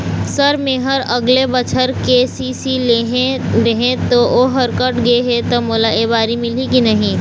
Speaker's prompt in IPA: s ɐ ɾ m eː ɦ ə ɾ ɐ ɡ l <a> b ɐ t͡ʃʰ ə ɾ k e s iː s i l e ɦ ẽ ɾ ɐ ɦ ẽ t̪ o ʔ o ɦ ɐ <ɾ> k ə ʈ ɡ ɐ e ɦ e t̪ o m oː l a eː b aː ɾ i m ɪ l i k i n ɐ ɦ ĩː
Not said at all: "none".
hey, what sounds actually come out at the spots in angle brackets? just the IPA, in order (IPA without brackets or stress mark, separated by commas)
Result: e, ɾ